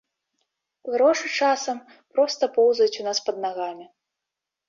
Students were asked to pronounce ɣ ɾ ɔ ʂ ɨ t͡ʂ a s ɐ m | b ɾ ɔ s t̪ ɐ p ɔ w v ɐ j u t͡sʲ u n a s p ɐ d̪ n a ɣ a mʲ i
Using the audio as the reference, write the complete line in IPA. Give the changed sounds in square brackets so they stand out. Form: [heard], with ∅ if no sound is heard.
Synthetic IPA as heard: ɣ ɾ ɔ ʂ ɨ t͡ʂ a s ɐ m | [p] ɾ ɔ s t̪ ɐ p ɔ w [z] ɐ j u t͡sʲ u n a s p ɐ d̪ n a ɣ a mʲ i